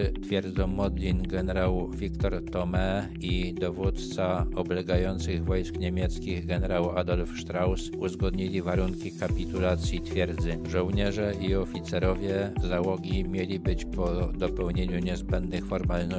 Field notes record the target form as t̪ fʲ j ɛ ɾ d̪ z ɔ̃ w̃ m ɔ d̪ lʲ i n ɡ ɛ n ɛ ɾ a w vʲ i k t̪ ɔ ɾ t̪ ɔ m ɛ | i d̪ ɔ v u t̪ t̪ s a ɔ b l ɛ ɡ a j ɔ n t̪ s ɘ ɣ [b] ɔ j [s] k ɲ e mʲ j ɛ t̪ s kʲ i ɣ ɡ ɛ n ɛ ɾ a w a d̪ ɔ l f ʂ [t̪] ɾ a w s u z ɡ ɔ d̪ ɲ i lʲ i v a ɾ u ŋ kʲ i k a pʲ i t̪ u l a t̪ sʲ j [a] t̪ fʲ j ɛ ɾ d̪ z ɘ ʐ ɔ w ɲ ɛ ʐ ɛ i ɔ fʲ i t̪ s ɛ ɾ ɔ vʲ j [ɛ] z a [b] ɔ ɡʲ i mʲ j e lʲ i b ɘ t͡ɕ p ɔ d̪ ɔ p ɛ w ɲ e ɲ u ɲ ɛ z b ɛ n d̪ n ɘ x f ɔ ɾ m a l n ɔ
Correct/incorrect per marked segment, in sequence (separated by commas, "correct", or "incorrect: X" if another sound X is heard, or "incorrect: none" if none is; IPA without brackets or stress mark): incorrect: v, correct, correct, incorrect: i, correct, incorrect: w